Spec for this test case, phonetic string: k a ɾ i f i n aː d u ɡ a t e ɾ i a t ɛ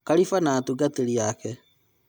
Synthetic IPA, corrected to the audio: k a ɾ i f a n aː t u ɡ a t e ɾ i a k ɛ

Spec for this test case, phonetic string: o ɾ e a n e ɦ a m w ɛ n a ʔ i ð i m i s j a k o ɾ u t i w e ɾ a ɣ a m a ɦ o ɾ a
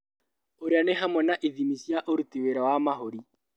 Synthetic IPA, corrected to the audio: o ɾ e a n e ɦ a m w ɛ n a ʔ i ð i m i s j a ʔ o ɾ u t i w e ɾ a w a m a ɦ o ɾ i

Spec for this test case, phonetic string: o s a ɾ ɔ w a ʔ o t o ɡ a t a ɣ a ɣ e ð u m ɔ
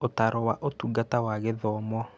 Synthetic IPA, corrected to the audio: o t a ɾ ɔ w a ʔ o t u ɡ a t a w a ɣ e ð ɔ m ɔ

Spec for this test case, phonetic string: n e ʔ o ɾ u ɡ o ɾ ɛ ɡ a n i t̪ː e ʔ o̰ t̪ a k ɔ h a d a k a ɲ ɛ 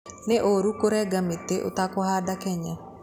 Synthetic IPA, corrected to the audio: n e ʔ o ɾ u k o ɾ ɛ ɡ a m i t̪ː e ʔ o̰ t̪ a k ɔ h a d a k ɛ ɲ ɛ

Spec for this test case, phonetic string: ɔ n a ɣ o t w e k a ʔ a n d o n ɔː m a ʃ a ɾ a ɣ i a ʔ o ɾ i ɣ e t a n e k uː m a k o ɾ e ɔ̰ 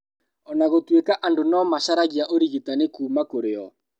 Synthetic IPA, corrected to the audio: ɔ n a ɣ o t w e k a ʔ a n d o n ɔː m a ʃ a ɾ a ɣ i a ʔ o ɾ i ɣ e t a n e k uː m a k o ɾ e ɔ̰

